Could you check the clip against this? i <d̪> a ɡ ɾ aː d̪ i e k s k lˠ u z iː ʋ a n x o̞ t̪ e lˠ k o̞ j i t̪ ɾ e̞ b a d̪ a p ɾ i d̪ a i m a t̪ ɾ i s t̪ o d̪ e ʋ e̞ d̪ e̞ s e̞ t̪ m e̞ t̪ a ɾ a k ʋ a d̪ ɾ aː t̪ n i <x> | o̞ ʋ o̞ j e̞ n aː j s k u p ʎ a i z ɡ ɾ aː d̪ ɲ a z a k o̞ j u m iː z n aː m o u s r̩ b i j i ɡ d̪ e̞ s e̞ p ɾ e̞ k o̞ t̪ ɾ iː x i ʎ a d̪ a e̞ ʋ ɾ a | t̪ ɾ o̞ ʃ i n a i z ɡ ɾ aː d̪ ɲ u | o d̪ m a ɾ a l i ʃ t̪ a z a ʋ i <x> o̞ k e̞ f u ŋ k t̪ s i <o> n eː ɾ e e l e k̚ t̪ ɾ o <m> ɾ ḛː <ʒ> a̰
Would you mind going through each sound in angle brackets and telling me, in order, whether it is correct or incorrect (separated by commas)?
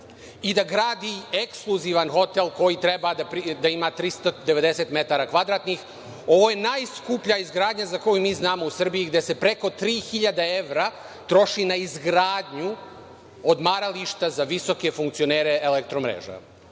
correct, correct, incorrect, correct, correct, correct